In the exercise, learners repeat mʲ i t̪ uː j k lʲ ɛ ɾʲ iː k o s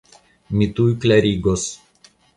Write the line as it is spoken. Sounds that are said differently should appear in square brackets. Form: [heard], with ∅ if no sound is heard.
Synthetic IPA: mʲ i t̪ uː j k lʲ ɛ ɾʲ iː [ɡ] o s